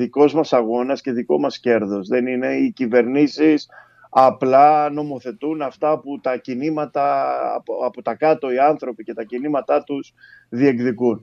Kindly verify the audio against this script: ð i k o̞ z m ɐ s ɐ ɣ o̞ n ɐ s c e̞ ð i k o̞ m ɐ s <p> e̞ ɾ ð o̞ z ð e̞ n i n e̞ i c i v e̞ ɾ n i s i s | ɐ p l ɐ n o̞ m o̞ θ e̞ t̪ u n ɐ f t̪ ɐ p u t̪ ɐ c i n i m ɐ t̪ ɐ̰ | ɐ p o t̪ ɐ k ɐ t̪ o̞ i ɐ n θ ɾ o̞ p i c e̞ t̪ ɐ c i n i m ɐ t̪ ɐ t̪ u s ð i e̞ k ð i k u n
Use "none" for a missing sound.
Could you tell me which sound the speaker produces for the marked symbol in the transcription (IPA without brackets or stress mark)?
c